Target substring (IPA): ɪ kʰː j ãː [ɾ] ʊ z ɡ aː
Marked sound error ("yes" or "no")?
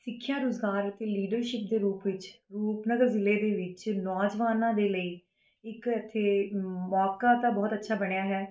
no